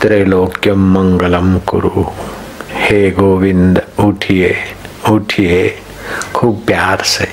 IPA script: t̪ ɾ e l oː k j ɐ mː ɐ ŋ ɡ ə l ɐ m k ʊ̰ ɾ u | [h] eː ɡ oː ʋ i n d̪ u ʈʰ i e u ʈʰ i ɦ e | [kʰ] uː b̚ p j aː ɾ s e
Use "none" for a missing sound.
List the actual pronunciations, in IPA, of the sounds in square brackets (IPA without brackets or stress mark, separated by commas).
h, kʰ